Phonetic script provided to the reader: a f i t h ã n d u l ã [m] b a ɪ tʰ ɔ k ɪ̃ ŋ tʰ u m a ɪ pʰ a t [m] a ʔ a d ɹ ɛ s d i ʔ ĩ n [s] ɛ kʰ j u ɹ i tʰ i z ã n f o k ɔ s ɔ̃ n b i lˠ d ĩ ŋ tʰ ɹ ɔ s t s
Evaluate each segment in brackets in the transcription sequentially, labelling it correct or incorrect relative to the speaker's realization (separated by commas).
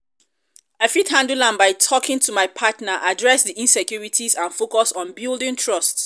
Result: incorrect, incorrect, correct